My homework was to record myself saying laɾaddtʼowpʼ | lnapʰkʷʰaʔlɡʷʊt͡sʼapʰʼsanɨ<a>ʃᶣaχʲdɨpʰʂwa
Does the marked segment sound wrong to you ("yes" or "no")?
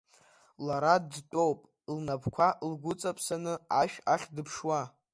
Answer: no